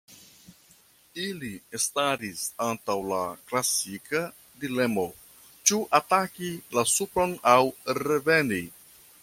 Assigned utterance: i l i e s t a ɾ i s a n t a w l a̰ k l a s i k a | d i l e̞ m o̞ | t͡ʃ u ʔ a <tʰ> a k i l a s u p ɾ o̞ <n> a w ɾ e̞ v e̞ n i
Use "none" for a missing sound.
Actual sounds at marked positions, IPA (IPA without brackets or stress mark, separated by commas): t, n